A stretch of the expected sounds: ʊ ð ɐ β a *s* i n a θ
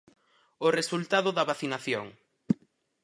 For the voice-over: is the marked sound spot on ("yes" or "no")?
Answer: no